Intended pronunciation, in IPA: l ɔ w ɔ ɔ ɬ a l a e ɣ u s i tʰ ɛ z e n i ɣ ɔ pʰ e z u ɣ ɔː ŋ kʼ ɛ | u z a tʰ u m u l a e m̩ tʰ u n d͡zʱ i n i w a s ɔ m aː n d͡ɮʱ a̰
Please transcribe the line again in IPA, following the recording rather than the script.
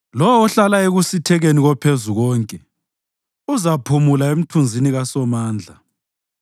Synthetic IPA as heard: l ɔ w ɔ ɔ ɬ a l a e ɣ u s i tʰ ɛ ɣ e n i ɣ ɔ pʰ e z u ɣ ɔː ŋ kʼ ɛ | u z a pʰ u m u l a e m̩ tʰ u n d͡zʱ i n i ɣ a s ɔ m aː n d͡ɮʱ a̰